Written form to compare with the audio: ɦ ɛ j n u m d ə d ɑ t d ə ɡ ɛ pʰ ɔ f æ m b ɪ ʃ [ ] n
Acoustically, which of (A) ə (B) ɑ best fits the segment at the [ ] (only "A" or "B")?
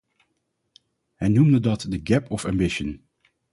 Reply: A